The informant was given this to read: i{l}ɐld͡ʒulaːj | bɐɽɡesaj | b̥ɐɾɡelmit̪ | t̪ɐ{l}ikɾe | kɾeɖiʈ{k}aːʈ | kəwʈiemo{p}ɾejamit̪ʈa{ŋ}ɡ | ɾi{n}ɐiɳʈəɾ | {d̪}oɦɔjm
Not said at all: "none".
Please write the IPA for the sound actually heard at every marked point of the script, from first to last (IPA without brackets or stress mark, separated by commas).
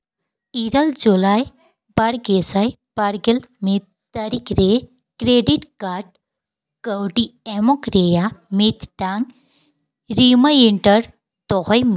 ɾ, ɾ, k, k, ŋ, m, t̪